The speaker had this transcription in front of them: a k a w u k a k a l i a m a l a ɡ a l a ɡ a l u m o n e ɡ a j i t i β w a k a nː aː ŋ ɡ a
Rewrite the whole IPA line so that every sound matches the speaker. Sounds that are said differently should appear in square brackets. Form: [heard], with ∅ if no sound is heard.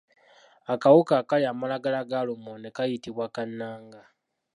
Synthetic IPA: a k a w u k a k a l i a m a l a ɡ a l a ɡ a l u m o n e [k] a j i t i β w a k a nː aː ŋ ɡ a